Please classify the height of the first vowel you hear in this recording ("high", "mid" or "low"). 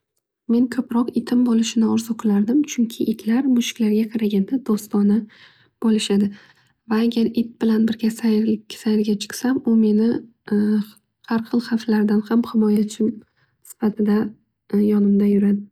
mid